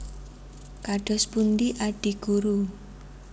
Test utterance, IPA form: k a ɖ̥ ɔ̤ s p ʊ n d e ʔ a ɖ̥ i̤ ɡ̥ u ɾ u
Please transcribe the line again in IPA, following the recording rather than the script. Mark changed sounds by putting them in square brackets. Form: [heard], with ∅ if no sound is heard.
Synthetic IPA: k a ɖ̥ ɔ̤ s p [u] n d [i] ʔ a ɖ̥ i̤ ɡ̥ u ɾ u